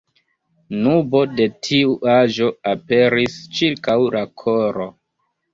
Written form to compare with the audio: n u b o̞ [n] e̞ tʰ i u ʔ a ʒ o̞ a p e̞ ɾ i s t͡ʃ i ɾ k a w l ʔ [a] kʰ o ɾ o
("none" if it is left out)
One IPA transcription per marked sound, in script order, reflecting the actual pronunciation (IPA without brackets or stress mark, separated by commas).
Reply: d, a